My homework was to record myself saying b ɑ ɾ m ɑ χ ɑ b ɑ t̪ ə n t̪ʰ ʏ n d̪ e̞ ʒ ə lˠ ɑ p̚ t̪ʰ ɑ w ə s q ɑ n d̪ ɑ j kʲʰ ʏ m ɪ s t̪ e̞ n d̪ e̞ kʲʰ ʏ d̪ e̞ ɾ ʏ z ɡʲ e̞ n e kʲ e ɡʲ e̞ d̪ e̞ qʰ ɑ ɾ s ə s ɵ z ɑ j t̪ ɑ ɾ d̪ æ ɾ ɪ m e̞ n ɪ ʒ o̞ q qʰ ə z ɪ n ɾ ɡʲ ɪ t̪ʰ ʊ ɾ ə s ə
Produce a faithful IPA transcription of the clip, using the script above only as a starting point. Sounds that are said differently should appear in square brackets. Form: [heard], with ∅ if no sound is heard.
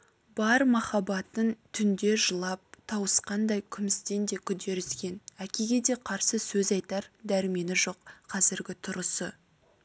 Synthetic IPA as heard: b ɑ ɾ m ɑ χ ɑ b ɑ t̪ ə n t̪ʰ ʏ n d̪ e̞ ʒ ə lˠ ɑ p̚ t̪ʰ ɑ w ə s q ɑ n d̪ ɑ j kʲʰ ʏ m ɪ s t̪ e̞ n d̪ e̞ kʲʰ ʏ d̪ e̞ ɾ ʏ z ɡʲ e̞ n [æ] kʲ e ɡʲ e̞ d̪ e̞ qʰ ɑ ɾ s ə s ɵ z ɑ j t̪ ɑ ɾ d̪ æ ɾ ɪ m e̞ n ɪ ʒ o̞ q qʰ [ɑ] z ɪ [∅] ɾ ɡʲ ɪ t̪ʰ ʊ ɾ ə s ə